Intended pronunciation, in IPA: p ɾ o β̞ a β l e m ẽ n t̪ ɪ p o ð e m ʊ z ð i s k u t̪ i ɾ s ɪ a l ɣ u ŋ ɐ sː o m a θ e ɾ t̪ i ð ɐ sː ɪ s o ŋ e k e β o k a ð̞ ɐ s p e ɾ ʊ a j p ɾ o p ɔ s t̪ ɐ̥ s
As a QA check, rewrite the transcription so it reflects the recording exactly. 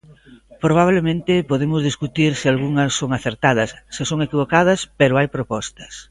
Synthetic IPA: p ɾ o β̞ a β l e m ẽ n t̪ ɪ p o ð e m ʊ z ð i s k u t̪ i ɾ s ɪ a l ɣ u ŋ ɐ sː o ŋ a θ e ɾ t̪ a ð ɐ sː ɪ s o ŋ e k i β o k a ð̞ ɐ s p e ɾ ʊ a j p ɾ o p ɔ s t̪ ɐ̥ s

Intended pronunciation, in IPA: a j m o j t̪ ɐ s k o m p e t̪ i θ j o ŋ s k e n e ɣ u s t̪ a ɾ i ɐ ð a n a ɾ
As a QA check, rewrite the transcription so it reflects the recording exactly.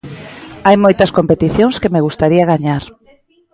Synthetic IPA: a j m o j t̪ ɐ s k o m p e t̪ i θ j o ŋ s k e m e ɣ u s t̪ a ɾ i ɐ ɣ a ɲ a ɾ

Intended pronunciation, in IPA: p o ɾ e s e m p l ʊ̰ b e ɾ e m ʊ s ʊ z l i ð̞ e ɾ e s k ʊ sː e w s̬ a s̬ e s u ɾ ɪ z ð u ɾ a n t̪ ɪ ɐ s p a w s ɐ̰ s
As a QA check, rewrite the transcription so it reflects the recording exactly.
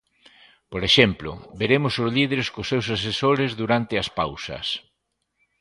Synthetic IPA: p o ɾ e ʃ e m p l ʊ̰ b e ɾ e m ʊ s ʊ z l i ð̞ e ɾ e s k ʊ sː e w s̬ a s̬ e s o ɾ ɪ z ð u ɾ a n t̪ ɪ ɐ s p a w s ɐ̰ s

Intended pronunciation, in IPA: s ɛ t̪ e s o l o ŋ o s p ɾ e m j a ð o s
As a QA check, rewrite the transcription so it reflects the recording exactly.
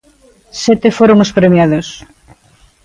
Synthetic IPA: s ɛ t̪ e f o ɾ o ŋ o s p ɾ e m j a ð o s

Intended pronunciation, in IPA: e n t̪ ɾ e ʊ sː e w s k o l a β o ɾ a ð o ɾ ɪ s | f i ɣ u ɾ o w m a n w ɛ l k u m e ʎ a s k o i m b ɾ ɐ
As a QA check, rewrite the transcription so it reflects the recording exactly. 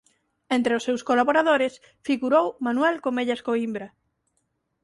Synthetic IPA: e n t̪ ɾ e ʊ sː e w s k o l a β o ɾ a ð o ɾ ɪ s | f i ɣ u ɾ o w m a n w ɛ l k o m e ʎ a s k o i m b ɾ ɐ

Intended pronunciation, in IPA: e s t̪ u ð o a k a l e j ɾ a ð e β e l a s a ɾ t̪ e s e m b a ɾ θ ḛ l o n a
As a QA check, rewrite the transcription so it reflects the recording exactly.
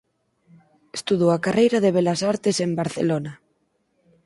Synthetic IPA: e s t̪ u ð o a k a r e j ɾ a ð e β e l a s a ɾ t̪ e s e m b a ɾ θ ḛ l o n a

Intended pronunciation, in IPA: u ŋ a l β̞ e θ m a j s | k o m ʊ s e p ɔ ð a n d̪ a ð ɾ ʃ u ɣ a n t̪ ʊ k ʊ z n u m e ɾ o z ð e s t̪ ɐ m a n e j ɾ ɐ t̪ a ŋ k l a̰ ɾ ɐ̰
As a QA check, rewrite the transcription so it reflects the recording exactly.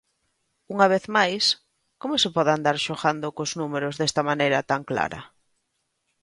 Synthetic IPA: u ŋ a β̞ e θ m a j s | k o m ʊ s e p ɔ ð a n d̪ a ɾ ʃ o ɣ a n d̪ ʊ k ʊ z n u m e ɾ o z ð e s t̪ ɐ m a n e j ɾ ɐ t̪ a ŋ k l a̰ ɾ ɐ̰

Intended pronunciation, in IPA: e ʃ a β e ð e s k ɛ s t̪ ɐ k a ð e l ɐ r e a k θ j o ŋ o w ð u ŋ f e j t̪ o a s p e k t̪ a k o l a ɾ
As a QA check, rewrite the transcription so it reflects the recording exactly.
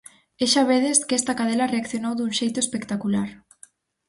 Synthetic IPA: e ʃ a β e ð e s k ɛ s t̪ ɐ k a ð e l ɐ r e a k θ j o n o w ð u ŋ ʃ e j t̪ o e s p e k t̪ a k u l a ɾ

